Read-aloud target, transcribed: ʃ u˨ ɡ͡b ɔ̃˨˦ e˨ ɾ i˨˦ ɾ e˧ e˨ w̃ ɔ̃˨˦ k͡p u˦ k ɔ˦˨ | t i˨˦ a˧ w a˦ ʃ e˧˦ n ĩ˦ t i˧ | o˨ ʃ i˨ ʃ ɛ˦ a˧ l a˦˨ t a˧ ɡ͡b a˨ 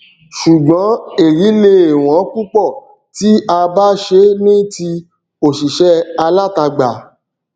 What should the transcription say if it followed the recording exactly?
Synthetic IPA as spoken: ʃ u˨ ɡ͡b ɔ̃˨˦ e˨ ɾ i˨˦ l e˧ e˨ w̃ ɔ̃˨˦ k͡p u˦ k͡p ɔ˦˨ | t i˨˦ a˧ b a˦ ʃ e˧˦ n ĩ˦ t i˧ | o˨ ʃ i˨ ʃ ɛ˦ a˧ l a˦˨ t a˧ ɡ͡b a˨

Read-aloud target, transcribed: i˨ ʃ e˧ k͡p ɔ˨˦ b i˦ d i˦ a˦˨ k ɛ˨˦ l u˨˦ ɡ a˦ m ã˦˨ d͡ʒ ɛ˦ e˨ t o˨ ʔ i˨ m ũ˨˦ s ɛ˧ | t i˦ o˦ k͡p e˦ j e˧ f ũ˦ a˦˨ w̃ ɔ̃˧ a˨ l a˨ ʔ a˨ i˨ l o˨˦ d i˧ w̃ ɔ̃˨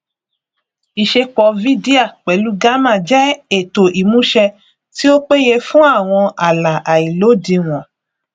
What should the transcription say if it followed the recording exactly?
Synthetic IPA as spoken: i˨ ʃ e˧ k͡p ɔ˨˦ v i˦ d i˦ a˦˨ k͡p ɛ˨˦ l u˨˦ ɡ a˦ m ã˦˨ d͡ʒ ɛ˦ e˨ t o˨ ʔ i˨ m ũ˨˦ ʃ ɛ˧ | t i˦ o˦ k͡p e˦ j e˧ f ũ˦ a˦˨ w̃ ɔ̃˧ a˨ l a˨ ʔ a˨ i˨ l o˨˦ d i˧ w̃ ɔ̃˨

